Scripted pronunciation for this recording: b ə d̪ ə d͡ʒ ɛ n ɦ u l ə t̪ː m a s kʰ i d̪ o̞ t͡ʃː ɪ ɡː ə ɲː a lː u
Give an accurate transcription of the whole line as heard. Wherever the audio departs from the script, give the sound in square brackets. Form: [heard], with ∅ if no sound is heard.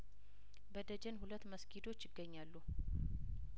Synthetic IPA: b ə d̪ ə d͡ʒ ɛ n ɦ u l ə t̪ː m [ə] s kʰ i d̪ o̞ t͡ʃː ɪ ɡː ə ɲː a lː u